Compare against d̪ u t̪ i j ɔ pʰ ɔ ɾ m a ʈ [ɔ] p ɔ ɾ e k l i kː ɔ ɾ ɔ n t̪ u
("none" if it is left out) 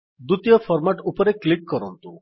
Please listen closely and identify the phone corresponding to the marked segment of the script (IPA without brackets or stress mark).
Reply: u